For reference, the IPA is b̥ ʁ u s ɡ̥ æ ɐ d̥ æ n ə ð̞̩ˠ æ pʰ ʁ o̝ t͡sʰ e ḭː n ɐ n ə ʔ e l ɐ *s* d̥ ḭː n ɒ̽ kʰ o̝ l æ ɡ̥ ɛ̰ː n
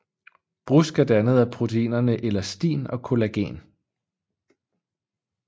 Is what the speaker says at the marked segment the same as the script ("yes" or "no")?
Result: yes